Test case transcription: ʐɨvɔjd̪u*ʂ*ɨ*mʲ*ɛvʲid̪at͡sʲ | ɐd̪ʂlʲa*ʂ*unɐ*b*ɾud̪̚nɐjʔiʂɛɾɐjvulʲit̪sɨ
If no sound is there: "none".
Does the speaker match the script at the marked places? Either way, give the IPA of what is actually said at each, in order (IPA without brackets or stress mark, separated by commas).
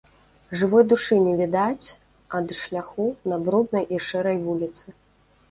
ʂ, nʲ, x, b